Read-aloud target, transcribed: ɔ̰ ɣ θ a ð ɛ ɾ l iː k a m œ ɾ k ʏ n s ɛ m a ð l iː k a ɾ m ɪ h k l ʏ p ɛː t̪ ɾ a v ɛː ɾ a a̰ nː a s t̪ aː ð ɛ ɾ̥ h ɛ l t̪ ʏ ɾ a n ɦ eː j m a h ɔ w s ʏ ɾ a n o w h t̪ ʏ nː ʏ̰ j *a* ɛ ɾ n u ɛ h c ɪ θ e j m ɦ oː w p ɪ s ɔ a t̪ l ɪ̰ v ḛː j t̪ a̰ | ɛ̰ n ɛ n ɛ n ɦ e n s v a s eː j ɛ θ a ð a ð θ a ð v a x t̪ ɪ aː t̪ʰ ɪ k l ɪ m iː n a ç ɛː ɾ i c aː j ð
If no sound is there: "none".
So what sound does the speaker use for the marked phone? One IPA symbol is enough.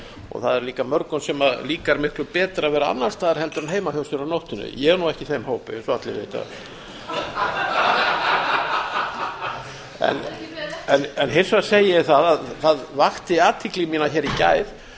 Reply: ɛ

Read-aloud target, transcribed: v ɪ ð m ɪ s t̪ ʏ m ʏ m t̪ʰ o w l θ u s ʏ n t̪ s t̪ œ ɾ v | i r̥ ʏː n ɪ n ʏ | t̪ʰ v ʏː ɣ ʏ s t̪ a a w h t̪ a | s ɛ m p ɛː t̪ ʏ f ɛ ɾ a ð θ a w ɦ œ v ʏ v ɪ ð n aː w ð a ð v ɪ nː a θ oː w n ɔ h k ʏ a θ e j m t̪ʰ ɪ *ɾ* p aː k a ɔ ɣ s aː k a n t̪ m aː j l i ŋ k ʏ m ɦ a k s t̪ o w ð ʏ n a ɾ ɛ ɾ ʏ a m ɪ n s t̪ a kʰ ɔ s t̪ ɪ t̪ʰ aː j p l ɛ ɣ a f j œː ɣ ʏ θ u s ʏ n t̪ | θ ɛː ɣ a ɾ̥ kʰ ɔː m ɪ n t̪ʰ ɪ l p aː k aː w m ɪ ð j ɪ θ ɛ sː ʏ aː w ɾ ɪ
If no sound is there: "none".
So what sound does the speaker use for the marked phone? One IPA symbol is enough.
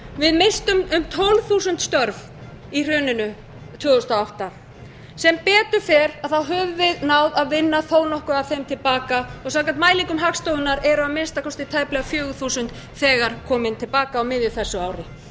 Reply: l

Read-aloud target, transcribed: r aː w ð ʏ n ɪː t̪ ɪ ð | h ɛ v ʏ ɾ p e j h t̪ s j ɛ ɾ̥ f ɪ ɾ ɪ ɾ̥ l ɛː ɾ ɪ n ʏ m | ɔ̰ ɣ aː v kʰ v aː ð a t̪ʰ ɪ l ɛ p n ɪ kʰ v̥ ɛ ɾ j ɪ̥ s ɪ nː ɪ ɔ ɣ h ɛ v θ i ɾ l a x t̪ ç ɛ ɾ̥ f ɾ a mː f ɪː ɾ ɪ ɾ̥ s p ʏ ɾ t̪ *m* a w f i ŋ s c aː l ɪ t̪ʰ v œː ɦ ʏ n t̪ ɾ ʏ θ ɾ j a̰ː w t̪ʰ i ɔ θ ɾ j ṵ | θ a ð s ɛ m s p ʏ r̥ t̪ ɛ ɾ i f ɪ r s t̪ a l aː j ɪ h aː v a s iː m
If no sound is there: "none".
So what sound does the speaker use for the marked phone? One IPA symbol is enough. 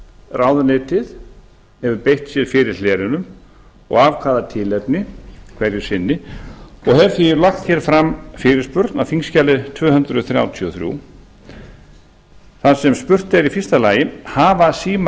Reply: n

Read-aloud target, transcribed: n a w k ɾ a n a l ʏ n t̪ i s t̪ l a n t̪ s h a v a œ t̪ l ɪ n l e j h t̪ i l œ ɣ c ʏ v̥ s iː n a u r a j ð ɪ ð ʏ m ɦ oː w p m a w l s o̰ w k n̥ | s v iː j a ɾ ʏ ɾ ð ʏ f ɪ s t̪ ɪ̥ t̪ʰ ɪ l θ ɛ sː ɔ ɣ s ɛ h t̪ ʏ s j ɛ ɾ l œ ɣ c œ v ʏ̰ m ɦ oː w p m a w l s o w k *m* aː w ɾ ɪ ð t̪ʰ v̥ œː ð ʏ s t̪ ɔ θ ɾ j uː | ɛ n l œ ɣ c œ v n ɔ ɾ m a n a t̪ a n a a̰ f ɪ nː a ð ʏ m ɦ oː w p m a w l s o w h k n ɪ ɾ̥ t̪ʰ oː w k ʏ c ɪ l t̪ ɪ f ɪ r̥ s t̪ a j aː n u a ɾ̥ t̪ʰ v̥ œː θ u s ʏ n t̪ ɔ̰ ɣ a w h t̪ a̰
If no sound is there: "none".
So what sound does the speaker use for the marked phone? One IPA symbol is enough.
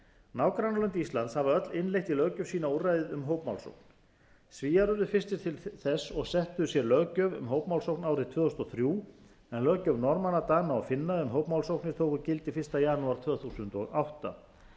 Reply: n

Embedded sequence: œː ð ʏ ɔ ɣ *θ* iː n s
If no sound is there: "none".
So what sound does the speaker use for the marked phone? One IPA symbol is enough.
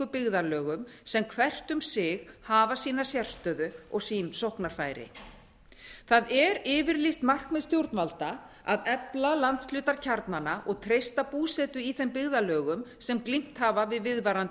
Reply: s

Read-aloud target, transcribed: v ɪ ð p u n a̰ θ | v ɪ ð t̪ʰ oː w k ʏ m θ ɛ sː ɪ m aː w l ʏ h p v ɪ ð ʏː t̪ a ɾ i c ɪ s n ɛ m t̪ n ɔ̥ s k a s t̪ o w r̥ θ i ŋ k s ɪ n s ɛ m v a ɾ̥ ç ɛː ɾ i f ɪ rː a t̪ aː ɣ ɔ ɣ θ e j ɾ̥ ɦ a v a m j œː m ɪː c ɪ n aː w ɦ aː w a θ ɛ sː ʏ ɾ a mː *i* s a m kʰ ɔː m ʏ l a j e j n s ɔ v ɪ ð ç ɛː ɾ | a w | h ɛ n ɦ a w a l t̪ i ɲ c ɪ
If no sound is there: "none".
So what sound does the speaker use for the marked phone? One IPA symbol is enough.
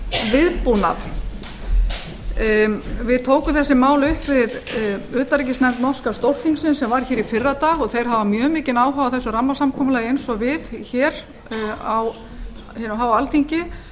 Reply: a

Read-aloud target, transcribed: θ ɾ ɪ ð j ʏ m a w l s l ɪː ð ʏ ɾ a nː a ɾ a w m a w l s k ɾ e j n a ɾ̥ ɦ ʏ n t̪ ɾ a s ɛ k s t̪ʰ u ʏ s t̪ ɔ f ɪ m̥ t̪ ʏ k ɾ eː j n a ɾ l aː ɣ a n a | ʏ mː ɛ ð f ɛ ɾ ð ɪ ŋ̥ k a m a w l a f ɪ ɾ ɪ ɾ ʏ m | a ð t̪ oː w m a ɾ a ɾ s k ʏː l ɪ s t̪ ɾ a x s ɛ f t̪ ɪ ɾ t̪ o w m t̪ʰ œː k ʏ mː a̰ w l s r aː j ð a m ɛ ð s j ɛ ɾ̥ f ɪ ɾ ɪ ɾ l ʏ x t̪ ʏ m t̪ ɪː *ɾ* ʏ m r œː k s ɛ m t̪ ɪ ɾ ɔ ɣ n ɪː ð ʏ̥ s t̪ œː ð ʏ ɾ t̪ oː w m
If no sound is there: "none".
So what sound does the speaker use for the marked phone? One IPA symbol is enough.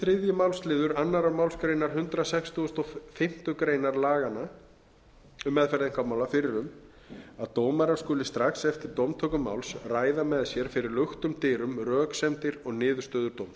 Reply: ɾ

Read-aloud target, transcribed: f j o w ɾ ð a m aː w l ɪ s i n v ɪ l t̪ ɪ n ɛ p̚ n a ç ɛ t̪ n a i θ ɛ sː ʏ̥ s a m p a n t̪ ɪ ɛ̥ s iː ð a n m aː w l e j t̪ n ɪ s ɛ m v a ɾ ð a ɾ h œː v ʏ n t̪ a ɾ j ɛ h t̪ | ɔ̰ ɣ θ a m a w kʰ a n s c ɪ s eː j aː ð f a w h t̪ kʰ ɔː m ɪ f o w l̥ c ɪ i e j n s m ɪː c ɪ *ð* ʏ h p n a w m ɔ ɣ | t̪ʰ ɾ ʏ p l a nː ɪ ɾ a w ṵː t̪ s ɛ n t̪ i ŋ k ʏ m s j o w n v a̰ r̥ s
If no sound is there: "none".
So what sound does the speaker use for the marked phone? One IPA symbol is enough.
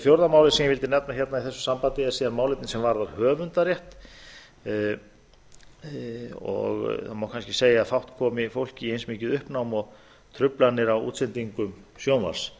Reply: ð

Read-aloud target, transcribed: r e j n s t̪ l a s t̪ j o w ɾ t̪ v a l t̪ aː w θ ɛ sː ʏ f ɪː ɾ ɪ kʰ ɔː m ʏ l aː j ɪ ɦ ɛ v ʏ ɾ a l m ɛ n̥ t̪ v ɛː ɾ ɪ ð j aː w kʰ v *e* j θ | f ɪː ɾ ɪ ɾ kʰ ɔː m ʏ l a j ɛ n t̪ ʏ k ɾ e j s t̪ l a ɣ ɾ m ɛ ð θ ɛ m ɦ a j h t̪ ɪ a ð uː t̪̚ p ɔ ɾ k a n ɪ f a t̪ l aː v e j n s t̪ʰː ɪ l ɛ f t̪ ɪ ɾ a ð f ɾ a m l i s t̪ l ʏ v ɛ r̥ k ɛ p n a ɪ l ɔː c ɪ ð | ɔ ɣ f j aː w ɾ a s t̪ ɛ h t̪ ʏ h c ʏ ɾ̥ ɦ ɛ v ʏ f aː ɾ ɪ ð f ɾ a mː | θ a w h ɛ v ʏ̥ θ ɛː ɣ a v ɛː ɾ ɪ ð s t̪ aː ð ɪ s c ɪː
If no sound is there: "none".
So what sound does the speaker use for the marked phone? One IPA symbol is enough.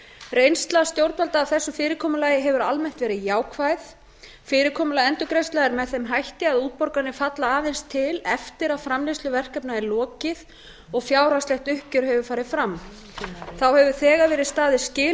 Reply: a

